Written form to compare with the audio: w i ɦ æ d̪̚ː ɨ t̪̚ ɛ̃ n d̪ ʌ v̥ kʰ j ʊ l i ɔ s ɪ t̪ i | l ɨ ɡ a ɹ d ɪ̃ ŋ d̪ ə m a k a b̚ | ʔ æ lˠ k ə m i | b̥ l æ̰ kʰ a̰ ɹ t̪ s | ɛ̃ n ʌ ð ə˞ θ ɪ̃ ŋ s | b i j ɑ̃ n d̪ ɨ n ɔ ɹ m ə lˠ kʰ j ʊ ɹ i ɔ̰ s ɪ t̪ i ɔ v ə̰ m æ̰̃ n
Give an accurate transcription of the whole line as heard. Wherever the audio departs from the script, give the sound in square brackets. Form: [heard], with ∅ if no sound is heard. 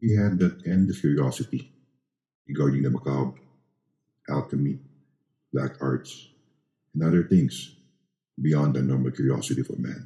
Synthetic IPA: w i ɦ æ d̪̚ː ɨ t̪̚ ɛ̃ n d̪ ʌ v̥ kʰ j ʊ [ɹ] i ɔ s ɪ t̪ i | [ɹ] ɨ ɡ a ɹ d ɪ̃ ŋ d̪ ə m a k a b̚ | ʔ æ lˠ k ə m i | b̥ l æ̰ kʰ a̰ ɹ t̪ s | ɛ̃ n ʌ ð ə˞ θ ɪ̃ ŋ s | b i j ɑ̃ n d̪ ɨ n ɔ ɹ m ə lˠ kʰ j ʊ ɹ i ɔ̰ s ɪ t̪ i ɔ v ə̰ m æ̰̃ n